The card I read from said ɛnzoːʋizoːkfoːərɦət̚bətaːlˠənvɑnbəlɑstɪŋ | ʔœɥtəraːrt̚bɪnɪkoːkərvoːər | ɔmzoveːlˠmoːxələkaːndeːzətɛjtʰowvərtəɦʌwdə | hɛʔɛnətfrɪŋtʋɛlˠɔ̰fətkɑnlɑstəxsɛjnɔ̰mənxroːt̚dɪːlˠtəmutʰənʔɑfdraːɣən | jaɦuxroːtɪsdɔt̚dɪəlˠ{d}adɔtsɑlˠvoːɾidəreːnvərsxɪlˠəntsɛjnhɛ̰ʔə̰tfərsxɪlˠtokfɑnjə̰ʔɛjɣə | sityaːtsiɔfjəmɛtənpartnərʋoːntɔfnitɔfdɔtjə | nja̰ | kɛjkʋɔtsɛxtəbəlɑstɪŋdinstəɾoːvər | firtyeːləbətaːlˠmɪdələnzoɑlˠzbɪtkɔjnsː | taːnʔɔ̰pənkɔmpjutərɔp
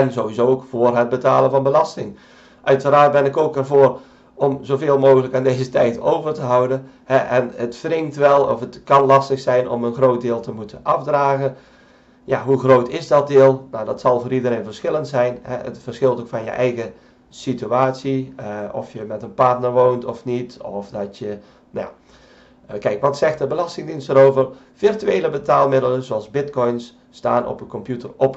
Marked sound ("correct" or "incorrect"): incorrect